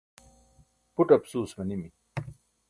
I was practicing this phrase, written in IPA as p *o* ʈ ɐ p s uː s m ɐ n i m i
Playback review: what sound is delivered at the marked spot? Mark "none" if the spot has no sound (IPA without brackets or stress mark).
u